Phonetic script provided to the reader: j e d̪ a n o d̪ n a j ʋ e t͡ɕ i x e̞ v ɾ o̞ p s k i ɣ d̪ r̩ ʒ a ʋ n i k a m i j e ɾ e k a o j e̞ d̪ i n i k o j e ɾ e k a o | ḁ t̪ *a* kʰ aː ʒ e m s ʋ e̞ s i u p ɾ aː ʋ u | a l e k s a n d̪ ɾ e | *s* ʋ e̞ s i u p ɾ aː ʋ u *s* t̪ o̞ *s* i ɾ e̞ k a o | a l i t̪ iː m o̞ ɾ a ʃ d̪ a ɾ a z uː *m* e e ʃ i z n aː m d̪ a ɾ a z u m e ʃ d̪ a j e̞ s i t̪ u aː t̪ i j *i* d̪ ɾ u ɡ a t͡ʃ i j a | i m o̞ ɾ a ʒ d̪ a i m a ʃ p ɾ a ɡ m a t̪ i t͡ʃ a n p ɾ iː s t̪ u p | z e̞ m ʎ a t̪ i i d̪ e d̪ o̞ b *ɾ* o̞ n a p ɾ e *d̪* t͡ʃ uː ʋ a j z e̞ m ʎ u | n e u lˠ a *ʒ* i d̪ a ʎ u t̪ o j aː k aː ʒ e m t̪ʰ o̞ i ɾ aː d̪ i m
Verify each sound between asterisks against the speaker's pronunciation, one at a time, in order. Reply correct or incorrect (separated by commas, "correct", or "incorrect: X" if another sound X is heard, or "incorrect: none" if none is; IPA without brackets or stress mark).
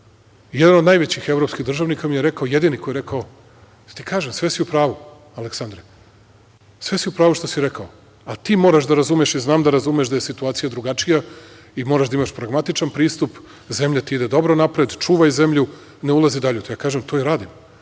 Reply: incorrect: i, correct, incorrect: ʃ, correct, correct, incorrect: a, correct, correct, incorrect: z